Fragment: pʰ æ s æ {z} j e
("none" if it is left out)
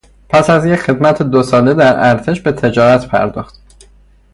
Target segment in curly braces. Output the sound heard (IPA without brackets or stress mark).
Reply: z